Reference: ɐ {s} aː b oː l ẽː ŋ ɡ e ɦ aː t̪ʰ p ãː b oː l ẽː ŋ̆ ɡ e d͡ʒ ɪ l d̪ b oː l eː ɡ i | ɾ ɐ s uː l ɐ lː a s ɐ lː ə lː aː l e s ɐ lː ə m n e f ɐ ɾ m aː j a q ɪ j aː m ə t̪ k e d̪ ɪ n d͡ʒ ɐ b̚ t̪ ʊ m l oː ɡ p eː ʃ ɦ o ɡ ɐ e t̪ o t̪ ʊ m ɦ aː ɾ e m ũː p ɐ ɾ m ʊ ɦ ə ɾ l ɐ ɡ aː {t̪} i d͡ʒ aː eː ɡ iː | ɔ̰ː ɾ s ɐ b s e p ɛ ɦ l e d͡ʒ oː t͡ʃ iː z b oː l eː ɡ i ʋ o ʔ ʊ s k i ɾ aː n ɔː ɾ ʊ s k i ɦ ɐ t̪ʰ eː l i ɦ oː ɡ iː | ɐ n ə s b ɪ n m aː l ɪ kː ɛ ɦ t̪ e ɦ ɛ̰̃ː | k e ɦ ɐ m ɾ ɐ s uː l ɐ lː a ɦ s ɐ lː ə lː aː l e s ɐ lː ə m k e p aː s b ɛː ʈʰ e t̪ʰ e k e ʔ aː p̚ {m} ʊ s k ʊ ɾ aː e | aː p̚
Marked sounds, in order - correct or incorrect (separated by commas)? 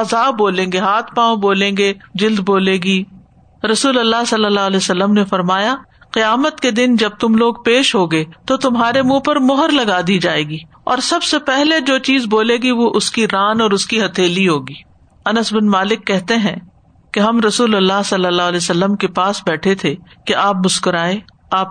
incorrect, incorrect, correct